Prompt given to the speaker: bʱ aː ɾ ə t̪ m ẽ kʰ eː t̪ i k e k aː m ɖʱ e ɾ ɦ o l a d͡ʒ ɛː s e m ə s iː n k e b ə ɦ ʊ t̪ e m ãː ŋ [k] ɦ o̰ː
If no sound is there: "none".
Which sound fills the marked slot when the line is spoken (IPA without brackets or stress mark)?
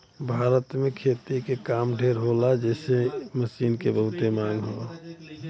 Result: ɡ